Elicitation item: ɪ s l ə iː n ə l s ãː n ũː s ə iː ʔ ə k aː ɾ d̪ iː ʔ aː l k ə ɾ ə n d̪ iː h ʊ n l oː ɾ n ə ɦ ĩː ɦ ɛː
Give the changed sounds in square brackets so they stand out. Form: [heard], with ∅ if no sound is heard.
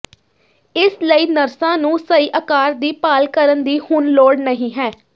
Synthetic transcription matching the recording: ɪ s l ə iː n ə [ɾ] s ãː n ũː s ə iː ʔ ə k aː ɾ d̪ iː [p] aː l k ə ɾ ə n d̪ iː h ʊ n l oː [ɽ] n ə ɦ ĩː ɦ ɛː